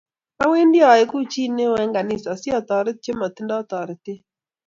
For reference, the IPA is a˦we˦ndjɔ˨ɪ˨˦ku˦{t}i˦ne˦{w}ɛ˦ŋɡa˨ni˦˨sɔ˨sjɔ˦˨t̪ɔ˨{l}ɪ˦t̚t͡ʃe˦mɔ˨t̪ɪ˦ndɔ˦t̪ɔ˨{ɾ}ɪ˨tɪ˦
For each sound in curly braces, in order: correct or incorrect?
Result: incorrect: t͡ʃ, correct, incorrect: ɾ, correct

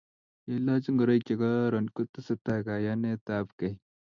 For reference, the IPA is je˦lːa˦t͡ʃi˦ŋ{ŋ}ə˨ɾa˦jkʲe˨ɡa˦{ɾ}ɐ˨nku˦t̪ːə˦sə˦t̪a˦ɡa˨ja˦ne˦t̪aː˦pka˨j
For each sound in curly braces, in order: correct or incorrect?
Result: incorrect: ɡ, correct

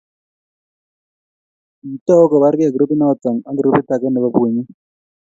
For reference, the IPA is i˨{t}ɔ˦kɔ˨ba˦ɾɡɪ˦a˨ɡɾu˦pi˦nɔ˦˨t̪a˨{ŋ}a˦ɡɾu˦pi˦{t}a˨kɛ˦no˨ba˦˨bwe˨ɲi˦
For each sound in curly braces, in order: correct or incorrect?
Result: correct, correct, correct

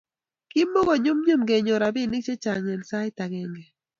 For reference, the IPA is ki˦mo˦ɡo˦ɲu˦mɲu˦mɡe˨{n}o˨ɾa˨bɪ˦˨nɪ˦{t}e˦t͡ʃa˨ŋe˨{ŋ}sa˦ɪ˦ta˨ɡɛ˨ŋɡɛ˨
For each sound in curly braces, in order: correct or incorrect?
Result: incorrect: ɲ, incorrect: t͡ʃ, incorrect: n

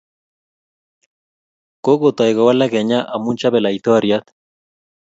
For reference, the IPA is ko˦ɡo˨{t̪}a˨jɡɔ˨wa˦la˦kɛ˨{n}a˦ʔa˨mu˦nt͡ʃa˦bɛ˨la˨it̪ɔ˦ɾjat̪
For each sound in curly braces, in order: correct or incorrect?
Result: correct, incorrect: ɲ

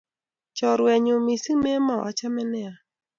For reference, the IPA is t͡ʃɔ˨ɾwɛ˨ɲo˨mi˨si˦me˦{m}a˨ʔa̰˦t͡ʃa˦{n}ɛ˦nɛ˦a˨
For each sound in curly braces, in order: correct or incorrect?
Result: correct, incorrect: m

